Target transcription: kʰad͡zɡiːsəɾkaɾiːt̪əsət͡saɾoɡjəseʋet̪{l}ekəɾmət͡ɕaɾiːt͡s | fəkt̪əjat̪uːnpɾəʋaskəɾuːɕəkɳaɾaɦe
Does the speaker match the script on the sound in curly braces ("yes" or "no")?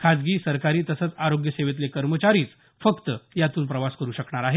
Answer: yes